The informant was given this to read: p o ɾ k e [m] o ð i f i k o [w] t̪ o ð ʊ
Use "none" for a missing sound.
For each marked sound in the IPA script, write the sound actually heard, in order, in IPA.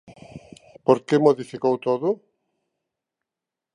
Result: m, w

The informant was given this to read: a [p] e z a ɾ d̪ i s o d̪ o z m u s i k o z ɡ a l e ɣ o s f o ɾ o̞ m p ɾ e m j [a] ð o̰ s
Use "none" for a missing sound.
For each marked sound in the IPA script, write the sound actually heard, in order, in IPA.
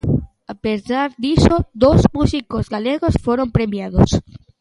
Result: p, a

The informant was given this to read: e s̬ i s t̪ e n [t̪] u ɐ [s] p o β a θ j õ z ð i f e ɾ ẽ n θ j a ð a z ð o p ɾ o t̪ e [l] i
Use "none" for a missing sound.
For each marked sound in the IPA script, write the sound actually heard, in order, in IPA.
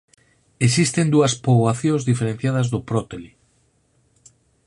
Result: d̪, s, l

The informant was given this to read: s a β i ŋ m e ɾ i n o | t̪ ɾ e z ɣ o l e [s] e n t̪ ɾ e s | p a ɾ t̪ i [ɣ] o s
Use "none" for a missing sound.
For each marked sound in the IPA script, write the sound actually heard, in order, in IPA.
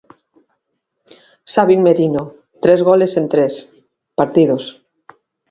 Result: s, ð

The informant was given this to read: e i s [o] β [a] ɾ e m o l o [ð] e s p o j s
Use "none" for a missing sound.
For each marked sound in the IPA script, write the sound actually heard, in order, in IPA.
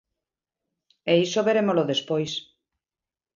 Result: o, e, ð

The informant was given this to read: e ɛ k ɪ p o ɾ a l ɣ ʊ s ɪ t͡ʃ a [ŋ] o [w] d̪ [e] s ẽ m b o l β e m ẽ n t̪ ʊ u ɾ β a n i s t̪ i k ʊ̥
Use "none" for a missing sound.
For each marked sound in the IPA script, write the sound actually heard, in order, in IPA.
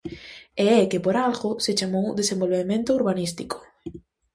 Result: m, w, e

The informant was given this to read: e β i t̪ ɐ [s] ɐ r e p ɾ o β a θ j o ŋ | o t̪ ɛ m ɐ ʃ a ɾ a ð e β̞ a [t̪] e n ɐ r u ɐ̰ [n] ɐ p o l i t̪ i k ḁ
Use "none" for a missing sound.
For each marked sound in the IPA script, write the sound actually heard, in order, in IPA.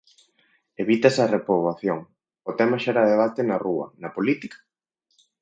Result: s, t̪, n

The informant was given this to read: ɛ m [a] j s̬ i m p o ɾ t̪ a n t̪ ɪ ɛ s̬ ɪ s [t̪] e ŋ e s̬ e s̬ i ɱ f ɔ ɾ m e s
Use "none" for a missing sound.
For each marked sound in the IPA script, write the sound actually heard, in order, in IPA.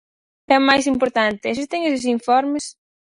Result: a, t̪

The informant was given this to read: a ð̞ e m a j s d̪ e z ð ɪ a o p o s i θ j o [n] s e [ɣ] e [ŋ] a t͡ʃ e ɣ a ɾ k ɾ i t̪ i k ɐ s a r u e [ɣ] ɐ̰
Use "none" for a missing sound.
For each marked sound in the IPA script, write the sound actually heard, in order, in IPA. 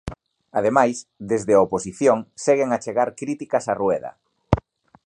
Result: ŋ, ɣ, ŋ, ð

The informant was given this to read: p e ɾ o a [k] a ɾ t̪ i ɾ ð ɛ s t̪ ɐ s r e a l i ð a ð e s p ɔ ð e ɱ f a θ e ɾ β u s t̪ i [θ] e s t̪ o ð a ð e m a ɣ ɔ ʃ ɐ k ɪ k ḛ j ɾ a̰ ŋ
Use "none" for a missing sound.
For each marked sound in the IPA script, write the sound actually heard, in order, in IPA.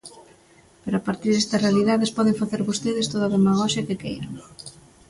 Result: p, ð

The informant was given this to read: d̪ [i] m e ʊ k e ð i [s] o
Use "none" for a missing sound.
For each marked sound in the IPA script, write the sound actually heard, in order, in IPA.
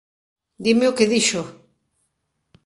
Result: i, ʃ

